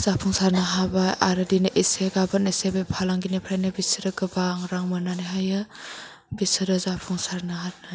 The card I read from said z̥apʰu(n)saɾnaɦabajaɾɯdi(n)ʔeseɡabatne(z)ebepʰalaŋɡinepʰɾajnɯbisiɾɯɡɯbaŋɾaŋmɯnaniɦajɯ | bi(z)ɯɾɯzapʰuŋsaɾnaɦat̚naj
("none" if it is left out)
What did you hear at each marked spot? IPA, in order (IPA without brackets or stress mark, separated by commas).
ŋ, n, s, s